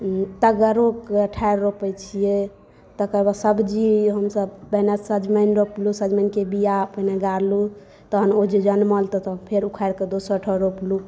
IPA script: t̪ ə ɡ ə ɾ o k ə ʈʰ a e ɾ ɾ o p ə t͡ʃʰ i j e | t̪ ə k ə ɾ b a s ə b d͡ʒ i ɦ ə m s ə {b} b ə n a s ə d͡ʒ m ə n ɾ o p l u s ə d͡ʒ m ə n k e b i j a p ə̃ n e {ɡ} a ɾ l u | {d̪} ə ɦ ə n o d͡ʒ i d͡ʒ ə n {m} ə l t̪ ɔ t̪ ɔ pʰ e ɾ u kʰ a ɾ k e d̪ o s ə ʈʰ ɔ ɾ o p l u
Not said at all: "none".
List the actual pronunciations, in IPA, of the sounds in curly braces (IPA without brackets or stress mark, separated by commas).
b, ɡ, t̪, m